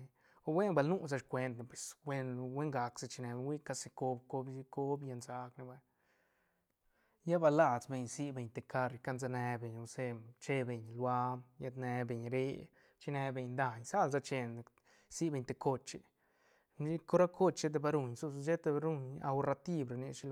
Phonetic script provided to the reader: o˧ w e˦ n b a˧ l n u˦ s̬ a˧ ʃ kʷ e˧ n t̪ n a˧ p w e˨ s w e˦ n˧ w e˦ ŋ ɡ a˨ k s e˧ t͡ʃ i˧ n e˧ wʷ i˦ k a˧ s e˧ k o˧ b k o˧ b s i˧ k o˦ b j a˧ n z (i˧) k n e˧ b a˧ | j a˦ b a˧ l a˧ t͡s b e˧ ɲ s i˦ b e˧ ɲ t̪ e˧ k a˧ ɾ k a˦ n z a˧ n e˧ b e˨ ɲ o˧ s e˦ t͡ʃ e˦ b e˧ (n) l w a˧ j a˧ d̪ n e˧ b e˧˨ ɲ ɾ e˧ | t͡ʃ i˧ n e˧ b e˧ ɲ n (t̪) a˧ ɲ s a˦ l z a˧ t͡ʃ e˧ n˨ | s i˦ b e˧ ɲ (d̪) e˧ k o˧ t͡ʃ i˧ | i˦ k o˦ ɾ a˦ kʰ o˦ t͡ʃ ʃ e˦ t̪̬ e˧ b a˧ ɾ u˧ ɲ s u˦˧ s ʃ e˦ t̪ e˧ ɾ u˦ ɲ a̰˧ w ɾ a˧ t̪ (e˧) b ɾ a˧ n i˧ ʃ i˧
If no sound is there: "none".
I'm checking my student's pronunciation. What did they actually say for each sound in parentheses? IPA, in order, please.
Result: a˧, ɲ, d̪, t̪, i˧

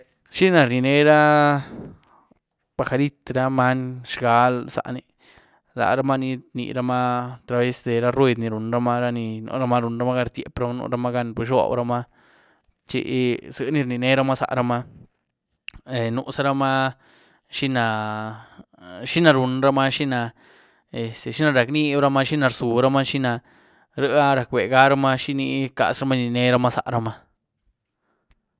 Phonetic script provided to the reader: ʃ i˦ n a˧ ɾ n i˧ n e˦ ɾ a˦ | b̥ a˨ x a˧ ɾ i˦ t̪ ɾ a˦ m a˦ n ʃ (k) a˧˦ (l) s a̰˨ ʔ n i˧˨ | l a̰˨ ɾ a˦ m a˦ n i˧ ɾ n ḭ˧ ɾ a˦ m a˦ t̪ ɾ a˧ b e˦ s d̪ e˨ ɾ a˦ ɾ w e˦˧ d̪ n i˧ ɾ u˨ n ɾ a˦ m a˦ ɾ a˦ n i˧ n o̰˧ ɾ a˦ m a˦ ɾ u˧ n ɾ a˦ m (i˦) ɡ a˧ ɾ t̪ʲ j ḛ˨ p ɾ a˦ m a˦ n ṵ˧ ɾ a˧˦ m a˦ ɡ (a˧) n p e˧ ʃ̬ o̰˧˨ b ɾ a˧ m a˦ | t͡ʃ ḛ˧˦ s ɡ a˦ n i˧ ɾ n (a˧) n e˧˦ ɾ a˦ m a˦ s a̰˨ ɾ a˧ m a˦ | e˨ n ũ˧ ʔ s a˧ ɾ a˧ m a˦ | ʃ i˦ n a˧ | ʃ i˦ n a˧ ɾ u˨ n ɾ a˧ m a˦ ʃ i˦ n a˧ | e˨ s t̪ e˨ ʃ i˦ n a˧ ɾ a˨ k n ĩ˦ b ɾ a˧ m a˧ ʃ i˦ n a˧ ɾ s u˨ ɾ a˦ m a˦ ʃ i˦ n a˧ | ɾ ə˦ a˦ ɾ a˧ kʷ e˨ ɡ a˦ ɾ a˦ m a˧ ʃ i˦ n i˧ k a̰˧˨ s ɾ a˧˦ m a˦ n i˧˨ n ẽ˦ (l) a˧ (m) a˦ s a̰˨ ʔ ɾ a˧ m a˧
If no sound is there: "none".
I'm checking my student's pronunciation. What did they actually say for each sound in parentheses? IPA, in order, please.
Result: ɡ, l, a˦, a˧, i˧, ɾ, m

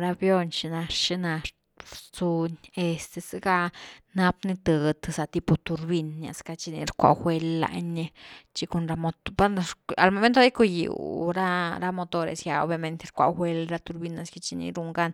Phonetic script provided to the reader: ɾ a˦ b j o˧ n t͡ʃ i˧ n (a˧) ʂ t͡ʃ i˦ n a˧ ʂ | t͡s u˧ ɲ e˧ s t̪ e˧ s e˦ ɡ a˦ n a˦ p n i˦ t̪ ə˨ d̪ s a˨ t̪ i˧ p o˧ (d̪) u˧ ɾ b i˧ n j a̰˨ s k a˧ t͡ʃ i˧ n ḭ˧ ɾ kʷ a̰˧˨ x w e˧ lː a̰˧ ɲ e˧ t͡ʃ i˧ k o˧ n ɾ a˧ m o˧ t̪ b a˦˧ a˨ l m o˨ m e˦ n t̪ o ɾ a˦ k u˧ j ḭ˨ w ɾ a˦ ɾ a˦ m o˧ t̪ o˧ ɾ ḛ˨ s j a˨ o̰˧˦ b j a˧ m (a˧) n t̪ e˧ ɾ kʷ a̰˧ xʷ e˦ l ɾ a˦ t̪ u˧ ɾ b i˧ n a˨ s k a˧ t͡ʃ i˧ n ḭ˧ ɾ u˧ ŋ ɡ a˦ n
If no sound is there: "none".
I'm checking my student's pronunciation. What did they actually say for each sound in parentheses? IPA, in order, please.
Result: a˧, t̪, e˧

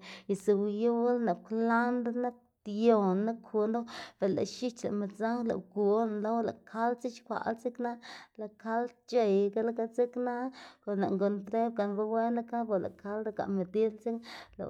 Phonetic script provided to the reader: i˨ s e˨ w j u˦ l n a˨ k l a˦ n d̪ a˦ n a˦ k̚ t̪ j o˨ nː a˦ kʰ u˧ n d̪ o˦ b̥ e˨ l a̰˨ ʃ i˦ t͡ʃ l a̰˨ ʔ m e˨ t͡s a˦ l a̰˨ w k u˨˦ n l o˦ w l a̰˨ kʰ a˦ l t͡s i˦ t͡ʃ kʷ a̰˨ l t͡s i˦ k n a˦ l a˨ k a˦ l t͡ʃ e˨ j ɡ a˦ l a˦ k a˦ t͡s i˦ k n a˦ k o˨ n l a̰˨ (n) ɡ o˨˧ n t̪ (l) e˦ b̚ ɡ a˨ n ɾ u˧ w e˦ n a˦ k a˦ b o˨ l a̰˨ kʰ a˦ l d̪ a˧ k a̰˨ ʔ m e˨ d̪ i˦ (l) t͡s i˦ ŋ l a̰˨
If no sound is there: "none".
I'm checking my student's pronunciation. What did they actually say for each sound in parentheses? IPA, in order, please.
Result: ŋ, ɾ, l

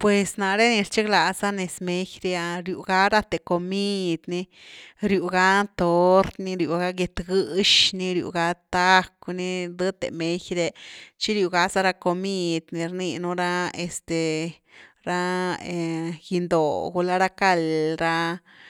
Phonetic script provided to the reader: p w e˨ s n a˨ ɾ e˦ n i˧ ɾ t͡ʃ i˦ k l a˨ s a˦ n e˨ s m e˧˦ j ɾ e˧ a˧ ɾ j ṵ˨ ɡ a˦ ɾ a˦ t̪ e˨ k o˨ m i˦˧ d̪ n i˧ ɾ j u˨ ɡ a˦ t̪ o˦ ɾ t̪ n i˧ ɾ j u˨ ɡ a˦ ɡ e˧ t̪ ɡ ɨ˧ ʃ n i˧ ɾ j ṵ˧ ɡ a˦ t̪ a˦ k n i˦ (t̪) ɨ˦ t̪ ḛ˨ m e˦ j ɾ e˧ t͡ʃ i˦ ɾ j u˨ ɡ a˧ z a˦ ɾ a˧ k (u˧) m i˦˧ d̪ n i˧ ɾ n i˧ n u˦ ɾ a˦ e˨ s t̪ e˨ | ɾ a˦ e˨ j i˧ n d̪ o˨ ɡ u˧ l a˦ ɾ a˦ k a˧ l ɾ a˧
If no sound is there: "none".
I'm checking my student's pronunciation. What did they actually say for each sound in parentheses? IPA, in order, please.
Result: d̪, o˧

